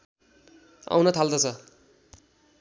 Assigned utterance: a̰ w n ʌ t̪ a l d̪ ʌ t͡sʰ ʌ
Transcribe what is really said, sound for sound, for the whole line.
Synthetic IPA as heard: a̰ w n ʌ t̪ʰ a l d̪ ʌ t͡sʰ ʌ

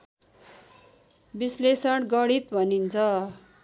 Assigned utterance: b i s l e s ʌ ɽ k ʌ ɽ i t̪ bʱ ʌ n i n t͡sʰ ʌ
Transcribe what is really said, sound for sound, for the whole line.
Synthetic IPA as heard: b i s l e s ʌ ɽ ɡ ʌ ɽ i t̪ bʱ ʌ n i n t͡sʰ ʌ

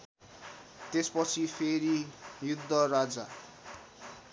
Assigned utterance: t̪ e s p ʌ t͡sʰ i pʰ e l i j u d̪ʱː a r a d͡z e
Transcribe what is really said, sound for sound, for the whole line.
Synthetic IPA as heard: t̪ e s p ʌ t͡sʰ i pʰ e ɾ i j u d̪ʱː ʌ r a d͡z a

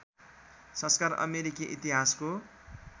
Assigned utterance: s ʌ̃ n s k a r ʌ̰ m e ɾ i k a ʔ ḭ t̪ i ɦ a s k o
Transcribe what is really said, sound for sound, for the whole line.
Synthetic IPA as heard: s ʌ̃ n s k a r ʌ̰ m e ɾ i k i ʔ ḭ t̪ i ɦ a s k o

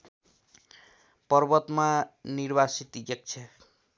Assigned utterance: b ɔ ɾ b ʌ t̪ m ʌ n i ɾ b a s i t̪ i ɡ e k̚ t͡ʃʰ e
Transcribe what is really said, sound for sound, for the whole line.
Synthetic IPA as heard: p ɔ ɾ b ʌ t̪ m a n i ɾ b a s i t̪ i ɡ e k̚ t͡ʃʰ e

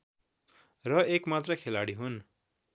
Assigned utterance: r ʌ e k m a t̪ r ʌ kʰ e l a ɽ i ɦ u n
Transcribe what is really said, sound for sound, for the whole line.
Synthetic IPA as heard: r ʌ e k m a t̪ r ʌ kʰ e l a ɽ i ɦ u n

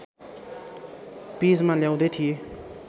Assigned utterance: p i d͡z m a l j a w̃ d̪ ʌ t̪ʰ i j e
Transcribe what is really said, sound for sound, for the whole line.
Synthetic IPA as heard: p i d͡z m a l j a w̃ d̪ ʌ t̪ʰ i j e

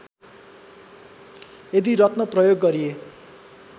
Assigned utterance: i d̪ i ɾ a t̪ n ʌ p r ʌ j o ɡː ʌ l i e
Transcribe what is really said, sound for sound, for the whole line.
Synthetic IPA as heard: e d̪ i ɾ ʌ t̪ n ʌ p r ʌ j o ɡː ʌ ɾ i e

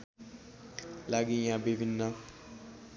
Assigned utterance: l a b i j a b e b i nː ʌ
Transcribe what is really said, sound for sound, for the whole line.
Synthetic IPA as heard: l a ɡ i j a b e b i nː a

